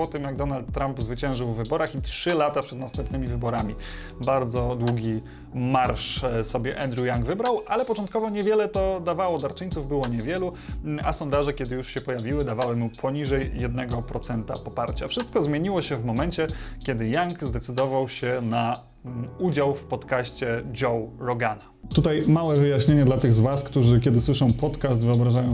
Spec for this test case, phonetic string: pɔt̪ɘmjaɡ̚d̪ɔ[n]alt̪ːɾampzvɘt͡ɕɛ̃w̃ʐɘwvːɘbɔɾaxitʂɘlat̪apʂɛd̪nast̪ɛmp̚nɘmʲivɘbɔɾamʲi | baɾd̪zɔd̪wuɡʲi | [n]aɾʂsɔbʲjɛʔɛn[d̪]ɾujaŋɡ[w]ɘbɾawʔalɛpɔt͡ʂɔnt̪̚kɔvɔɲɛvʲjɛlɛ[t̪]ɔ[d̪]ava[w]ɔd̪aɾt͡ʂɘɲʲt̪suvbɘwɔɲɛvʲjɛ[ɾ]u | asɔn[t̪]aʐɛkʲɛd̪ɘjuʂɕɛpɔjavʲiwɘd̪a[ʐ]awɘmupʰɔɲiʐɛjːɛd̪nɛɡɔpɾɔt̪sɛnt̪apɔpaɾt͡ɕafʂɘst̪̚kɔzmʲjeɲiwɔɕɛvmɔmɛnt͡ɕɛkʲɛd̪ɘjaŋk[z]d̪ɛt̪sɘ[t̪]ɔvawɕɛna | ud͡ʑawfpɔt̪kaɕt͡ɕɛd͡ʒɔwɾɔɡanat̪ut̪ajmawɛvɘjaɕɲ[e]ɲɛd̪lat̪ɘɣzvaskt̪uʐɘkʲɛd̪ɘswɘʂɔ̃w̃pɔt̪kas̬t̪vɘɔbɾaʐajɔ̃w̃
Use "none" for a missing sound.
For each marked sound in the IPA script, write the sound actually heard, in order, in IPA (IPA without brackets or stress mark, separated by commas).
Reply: n, m, d̪, v, t̪, d̪, w, l, d̪, v, z, d̪, e